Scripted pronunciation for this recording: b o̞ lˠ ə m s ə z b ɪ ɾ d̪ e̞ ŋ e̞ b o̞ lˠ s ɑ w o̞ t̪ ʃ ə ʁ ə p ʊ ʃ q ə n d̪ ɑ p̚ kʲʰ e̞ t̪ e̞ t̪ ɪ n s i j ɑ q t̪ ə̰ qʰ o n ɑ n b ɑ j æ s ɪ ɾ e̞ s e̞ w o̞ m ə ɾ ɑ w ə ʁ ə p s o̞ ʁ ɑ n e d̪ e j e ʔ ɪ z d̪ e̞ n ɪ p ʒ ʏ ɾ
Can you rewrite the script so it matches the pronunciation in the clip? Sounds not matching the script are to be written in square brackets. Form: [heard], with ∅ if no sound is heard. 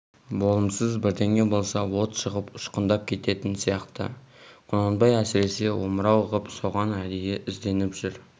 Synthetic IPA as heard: b o̞ lˠ ə m s ə z b ɪ ɾ d̪ e̞ ŋ e̞ b o̞ lˠ s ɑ w o̞ t̪ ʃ ə ʁ ə p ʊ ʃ q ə n d̪ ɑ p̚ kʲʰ e̞ t̪ e̞ t̪ ɪ n s i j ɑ q t̪ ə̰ qʰ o n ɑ n b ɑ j æ s ɪ ɾ e̞ s e̞ w o̞ m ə ɾ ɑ w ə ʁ ə p s o̞ ʁ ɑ n [æ] d̪ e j e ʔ ɪ z d̪ e̞ n ɪ p ʒ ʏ ɾ